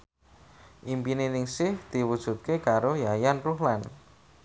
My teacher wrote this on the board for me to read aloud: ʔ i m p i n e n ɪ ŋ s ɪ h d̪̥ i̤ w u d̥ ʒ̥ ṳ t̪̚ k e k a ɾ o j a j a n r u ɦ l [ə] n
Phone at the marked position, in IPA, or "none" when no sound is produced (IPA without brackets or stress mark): a